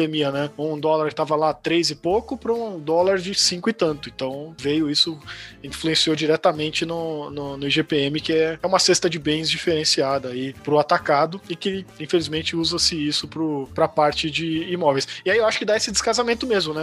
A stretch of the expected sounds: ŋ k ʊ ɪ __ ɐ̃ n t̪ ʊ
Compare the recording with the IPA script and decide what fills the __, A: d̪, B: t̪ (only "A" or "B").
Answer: B